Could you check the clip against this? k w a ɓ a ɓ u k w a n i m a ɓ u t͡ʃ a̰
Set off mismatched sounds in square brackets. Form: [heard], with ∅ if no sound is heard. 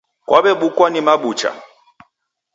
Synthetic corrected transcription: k w a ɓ [ɛ] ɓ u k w a n i m a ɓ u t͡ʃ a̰